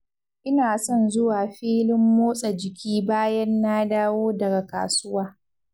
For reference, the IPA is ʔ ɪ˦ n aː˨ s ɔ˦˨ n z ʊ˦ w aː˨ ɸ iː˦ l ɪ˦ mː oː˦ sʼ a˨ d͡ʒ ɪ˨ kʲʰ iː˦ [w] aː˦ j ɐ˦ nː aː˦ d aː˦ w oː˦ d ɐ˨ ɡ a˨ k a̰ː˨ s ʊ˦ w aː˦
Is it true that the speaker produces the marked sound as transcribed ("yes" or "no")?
no